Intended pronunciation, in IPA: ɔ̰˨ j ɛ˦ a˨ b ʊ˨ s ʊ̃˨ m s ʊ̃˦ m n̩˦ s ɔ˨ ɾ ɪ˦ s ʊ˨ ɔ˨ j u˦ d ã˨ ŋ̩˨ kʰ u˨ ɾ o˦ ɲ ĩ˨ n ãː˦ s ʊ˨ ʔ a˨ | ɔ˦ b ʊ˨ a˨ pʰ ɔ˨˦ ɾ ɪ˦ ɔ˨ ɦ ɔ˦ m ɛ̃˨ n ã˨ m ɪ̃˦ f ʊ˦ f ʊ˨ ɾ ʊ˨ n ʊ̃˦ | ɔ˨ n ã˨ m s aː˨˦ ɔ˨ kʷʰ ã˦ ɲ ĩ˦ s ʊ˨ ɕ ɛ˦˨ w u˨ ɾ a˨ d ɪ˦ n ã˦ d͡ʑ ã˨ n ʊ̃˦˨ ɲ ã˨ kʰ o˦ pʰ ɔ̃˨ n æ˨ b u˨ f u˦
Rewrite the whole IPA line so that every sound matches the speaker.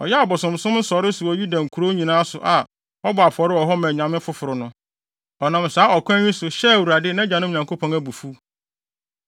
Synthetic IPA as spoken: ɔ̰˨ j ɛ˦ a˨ b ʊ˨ s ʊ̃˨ m s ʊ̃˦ m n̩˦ s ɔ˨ ɾ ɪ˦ s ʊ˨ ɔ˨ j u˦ d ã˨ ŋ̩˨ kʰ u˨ ɾ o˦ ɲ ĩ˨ n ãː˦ s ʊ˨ ʔ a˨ | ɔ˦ b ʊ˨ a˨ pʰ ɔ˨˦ ɾ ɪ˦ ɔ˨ ɦ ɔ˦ m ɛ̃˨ ɲ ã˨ m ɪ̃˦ f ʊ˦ f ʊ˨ ɾ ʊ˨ n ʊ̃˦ | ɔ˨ n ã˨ m s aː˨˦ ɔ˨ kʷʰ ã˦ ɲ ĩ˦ s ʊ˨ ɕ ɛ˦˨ w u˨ ɾ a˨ d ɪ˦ n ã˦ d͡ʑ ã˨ n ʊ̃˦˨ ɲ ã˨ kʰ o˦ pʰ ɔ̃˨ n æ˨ b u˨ f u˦